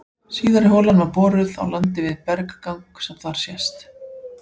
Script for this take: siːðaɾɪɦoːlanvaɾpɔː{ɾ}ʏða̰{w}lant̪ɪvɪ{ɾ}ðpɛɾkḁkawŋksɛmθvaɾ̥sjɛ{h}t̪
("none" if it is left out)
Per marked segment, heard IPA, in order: ɾ, w, none, s

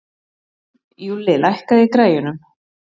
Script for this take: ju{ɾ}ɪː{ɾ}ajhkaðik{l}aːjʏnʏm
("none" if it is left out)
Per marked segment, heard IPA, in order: l, l, ɾ

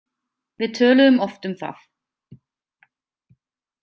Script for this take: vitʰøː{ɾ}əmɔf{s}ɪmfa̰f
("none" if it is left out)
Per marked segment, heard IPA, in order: l, t

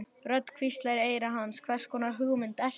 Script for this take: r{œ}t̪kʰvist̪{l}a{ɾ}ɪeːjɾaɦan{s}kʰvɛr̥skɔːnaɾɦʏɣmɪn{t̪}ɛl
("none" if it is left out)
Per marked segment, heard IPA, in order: œ, l, ɾ, s, t̪

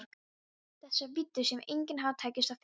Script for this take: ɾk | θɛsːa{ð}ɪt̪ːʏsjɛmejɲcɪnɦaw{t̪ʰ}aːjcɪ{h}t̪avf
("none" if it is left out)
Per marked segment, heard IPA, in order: v, t̪ʰ, s

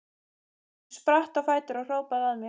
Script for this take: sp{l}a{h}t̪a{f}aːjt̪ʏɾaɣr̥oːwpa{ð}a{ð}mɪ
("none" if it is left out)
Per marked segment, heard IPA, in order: ɾ, h, f, ð, ð

